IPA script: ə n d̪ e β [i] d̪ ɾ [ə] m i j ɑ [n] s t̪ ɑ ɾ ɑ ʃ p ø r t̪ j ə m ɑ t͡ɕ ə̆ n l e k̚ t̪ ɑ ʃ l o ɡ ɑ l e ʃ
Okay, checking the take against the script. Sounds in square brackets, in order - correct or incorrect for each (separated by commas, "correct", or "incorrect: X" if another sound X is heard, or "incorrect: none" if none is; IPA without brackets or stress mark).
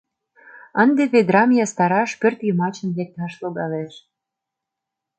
incorrect: e, incorrect: ɑ, incorrect: none